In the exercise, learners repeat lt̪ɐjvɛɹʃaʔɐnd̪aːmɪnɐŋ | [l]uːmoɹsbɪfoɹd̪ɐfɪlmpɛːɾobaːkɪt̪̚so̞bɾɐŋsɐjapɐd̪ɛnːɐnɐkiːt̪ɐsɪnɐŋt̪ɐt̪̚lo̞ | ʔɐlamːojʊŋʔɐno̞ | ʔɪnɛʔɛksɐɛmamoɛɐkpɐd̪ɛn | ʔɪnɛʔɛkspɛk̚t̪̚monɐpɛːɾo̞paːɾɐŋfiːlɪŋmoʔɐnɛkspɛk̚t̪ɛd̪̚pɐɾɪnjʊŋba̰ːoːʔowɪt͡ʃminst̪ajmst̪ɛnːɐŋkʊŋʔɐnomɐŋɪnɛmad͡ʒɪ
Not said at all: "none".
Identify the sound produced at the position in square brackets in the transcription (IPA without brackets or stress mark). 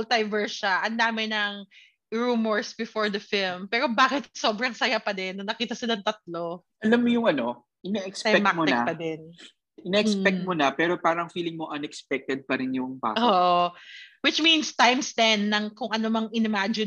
ɹ